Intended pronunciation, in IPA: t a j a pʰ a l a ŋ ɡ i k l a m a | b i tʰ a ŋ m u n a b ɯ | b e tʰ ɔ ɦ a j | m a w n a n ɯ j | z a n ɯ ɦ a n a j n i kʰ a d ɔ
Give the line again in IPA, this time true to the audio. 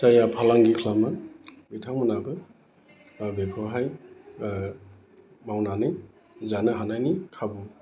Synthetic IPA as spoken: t a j a pʰ a l a ŋ ɡ i kʰ l a m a | b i tʰ a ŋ m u n a b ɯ | b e kʰ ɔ ɦ a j | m a w n a n ɯ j | z a n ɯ ɦ a n a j n i kʰ a b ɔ